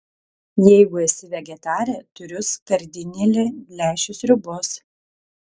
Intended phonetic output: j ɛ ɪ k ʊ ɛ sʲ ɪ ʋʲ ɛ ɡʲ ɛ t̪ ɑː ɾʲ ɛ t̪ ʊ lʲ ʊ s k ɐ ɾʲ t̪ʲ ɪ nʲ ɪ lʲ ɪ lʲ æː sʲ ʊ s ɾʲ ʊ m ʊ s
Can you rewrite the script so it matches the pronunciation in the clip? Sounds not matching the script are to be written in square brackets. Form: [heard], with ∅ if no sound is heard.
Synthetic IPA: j ɛ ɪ [ɡ] ʊ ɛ sʲ ɪ ʋʲ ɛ ɡʲ ɛ t̪ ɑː ɾʲ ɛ t̪ ʊ [ɾʲ] ʊ s k ɐ ɾʲ [d̪ʲ] ɪ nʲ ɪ lʲ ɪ lʲ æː [ʃʲ] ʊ s ɾʲ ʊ [b] ʊ s